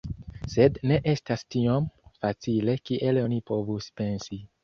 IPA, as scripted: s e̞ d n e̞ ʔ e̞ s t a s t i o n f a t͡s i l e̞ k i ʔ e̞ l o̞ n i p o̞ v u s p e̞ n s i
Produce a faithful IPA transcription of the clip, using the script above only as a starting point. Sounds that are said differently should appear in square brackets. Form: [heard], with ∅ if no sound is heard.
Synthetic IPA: s e̞ d n e̞ ʔ e̞ s t a s t i o [m] f a t͡s i l e̞ k i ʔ e̞ l o̞ n i p o̞ v u s p e̞ n s i